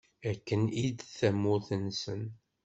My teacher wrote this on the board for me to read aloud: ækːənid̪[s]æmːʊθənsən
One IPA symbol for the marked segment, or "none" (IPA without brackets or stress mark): θ